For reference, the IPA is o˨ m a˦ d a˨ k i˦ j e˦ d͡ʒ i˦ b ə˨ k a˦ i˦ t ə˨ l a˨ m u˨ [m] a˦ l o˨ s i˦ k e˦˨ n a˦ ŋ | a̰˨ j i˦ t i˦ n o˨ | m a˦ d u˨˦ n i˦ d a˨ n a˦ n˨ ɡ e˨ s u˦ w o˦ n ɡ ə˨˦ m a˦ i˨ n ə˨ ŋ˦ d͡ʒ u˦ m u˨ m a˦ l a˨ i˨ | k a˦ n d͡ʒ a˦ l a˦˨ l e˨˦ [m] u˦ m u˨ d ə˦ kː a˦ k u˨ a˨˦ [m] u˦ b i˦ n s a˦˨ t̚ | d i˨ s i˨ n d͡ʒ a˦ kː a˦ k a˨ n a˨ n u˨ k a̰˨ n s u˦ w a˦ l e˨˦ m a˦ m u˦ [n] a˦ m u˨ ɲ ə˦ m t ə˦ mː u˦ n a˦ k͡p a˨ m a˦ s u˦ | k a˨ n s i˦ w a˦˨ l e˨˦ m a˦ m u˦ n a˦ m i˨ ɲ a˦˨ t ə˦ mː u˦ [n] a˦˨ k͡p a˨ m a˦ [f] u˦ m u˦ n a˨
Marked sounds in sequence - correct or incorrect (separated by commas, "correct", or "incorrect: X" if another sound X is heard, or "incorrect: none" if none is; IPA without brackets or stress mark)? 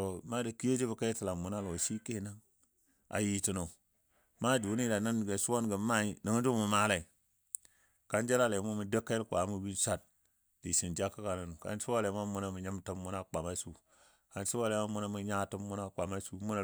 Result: incorrect: n, correct, correct, correct, correct, incorrect: s